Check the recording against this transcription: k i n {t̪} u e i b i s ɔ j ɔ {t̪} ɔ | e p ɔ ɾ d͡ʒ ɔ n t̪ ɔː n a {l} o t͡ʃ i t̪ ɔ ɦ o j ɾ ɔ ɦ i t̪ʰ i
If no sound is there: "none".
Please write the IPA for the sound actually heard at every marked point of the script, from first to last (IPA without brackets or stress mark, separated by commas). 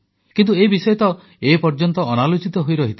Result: t̪, t̪, l